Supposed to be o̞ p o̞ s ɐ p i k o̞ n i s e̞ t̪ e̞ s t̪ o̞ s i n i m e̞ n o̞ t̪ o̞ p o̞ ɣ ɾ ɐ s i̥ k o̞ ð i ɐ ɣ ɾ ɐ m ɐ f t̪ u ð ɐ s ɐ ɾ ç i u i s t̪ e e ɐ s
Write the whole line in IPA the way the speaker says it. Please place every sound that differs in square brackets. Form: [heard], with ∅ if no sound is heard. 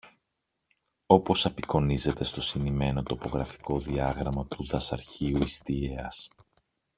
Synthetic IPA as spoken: o̞ p o̞ s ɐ p i k o̞ n i [z] e̞ t̪ e̞ s t̪ o̞ s i n i m e̞ n o̞ t̪ o̞ p o̞ ɣ ɾ ɐ [f] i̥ k o̞ ð i ɐ ɣ ɾ ɐ m ɐ [∅] t̪ u ð ɐ s ɐ ɾ ç i u i s t̪ [i] e ɐ s